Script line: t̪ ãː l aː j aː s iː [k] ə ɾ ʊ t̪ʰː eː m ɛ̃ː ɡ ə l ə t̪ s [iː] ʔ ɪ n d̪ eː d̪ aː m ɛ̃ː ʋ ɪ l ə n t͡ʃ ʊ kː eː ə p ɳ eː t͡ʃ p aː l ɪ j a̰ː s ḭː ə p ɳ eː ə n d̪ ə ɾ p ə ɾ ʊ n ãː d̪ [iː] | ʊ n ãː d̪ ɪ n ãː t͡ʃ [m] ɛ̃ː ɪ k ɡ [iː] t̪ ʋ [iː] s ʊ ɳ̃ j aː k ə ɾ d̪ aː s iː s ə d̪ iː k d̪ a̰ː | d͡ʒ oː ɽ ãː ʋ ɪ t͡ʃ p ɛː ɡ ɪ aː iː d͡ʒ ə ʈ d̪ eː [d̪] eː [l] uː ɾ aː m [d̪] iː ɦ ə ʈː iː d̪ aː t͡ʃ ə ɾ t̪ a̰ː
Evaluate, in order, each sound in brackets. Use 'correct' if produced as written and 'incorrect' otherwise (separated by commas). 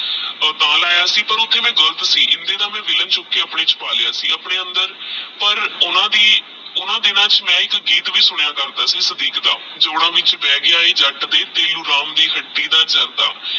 incorrect, correct, correct, correct, correct, correct, incorrect, correct, correct